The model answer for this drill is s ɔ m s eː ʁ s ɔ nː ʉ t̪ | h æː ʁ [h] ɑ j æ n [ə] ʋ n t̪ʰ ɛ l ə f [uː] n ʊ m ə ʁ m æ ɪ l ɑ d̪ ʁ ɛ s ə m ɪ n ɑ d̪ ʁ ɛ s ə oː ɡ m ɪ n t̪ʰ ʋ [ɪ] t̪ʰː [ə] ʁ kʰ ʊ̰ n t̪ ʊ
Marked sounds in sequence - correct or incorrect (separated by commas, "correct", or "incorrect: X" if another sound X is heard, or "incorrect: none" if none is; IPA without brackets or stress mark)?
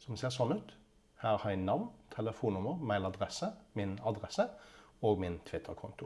correct, incorrect: ɑ, correct, correct, correct